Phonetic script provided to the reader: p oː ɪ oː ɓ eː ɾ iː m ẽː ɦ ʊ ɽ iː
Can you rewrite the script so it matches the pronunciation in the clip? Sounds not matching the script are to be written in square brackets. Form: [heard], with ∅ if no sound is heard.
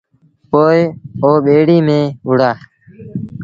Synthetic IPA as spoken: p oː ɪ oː ɓ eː [ɽ] iː m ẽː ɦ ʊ ɽ [aː]